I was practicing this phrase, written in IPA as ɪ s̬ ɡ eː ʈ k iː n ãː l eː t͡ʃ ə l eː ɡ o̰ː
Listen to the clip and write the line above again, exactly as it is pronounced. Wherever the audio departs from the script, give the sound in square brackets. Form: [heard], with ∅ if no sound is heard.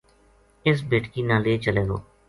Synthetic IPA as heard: ɪ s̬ [b] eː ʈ k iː n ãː l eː t͡ʃ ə l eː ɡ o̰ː